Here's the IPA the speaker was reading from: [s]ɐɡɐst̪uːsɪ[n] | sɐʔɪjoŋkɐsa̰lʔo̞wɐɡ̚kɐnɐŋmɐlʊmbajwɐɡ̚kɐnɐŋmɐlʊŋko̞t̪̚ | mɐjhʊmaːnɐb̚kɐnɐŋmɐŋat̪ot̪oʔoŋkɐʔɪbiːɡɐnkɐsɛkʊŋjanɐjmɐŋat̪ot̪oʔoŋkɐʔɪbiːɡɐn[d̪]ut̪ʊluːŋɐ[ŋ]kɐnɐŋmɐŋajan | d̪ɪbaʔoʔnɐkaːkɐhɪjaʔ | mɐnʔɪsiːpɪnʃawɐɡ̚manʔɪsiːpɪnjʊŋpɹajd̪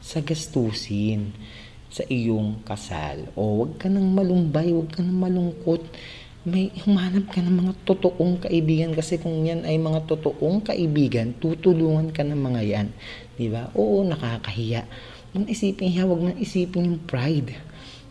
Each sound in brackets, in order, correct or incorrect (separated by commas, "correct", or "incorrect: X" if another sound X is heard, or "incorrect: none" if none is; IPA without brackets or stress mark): correct, correct, incorrect: t̪, incorrect: n